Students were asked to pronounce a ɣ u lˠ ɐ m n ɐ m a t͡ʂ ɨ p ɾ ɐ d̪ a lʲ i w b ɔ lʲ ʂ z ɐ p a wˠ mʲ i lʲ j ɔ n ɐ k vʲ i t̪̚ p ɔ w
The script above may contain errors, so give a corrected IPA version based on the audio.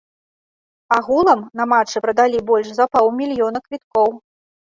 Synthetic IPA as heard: a ɣ u lˠ ɐ m n ɐ m a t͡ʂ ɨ p ɾ ɐ d̪ a lʲ i b ɔ lʲ ʂ z ɐ p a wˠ mʲ i lʲ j ɔ n ɐ k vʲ i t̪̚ k ɔ w